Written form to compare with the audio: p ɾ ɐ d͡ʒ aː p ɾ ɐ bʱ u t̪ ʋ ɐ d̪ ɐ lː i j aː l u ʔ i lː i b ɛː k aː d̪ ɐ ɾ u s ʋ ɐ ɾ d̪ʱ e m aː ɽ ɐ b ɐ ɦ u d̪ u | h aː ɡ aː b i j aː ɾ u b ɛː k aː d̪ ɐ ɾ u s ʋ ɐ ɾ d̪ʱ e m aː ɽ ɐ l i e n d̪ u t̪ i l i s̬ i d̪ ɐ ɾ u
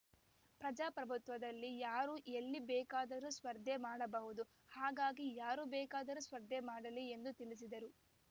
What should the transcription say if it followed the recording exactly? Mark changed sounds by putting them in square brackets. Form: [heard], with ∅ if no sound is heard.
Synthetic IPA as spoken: p ɾ ɐ d͡ʒ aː p ɾ ɐ bʱ u t̪ ʋ ɐ d̪ ɐ lː i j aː [ɾ] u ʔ [e] lː i b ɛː k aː d̪ ɐ ɾ u s ʋ ɐ ɾ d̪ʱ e m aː ɽ ɐ b ɐ ɦ u d̪ u | h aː ɡ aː [ɡ] i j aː ɾ u b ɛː k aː d̪ ɐ ɾ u s ʋ ɐ ɾ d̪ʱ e m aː ɽ ɐ l i e n d̪ u t̪ i l i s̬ i d̪ ɐ ɾ u